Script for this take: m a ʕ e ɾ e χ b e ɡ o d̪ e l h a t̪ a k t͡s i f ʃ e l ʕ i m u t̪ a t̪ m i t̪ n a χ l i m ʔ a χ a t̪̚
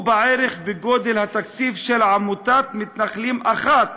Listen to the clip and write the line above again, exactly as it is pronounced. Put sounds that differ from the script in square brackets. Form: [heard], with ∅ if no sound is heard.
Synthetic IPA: [b] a ʕ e ɾ e χ b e ɡ o d̪ e l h a t̪ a k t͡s i f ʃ e l ʕ [a] m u t̪ a t̪ m i t̪ n a χ l i m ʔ a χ a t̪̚